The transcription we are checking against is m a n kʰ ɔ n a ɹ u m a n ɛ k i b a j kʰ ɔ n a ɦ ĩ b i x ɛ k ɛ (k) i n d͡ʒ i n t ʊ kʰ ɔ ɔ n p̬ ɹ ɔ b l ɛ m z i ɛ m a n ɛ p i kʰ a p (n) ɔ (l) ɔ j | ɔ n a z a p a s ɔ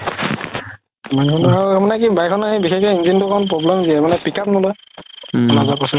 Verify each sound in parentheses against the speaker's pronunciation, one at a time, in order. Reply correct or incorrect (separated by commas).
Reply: incorrect, correct, correct